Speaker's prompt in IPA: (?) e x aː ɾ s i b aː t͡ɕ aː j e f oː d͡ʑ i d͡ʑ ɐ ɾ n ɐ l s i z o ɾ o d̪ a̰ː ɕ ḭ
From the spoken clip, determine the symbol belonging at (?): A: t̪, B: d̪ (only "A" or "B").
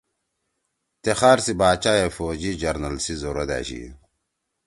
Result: A